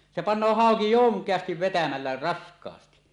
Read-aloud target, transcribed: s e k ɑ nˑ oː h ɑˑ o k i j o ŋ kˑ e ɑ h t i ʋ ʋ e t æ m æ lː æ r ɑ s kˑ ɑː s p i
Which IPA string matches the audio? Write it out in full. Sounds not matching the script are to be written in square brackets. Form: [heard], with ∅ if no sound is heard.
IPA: s e [p] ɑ nˑ oː h ɑˑ o k i j o ŋ kˑ e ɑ [s] t i ʋ ʋ e t æ m æ lː æ r ɑ s kˑ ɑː s [t] i